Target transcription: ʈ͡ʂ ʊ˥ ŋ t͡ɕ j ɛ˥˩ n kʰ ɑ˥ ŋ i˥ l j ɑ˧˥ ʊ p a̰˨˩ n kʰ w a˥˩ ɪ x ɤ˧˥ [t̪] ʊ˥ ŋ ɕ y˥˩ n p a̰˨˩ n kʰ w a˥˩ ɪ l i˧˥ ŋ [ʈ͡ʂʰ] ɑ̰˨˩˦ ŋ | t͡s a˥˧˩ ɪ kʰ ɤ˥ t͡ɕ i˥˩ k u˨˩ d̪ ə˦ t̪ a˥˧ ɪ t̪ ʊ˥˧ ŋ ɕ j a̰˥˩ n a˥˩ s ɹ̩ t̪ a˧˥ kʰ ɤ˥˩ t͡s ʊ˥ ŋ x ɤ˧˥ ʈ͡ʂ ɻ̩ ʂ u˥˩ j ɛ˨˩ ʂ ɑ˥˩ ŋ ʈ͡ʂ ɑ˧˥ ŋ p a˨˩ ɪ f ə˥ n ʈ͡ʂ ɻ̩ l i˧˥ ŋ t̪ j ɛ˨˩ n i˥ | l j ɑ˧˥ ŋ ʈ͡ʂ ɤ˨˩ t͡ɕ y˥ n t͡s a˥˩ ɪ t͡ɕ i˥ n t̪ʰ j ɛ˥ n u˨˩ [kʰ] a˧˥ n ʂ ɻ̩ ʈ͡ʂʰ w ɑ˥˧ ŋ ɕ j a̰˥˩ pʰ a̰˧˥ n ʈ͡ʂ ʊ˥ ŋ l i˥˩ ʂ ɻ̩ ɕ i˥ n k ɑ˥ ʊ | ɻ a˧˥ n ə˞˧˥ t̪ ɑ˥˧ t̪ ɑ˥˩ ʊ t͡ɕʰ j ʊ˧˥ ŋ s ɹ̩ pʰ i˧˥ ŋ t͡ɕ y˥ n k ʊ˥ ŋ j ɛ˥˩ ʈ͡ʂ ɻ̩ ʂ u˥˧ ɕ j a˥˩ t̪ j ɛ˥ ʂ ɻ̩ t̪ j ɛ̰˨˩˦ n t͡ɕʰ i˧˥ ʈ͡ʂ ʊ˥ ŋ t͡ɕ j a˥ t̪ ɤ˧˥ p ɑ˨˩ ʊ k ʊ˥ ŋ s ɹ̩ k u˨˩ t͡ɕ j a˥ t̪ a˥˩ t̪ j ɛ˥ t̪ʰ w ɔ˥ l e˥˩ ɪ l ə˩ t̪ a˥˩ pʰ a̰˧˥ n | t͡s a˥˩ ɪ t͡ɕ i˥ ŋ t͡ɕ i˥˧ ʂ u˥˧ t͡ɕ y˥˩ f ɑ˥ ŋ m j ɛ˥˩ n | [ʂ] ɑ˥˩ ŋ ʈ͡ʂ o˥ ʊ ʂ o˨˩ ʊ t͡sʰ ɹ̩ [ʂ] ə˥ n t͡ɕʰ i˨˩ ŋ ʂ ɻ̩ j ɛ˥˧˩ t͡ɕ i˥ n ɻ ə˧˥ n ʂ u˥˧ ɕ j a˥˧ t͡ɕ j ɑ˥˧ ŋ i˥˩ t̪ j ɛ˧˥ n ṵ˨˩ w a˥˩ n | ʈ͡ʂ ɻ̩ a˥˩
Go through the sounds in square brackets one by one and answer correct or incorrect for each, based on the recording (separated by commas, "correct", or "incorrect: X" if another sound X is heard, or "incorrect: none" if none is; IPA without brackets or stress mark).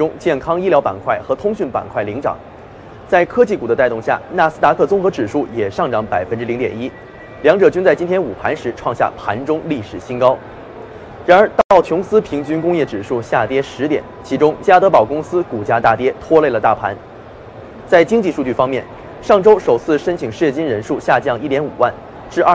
incorrect: t̪ʰ, incorrect: ʈ͡ʂ, incorrect: pʰ, correct, correct